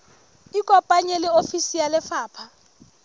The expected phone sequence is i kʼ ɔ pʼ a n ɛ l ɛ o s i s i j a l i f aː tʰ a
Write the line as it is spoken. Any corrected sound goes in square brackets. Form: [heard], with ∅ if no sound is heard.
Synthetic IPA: i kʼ ɔ pʼ a [ɲ] ɛ l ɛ o [f] i s i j a l [ɛ] f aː [pʰ] a